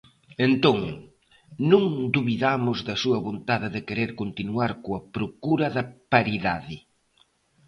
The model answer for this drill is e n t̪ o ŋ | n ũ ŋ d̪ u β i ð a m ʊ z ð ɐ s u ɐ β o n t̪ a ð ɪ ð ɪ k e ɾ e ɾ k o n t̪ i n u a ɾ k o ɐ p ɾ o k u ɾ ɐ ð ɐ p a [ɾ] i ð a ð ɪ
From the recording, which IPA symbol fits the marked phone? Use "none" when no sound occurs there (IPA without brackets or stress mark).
ɾ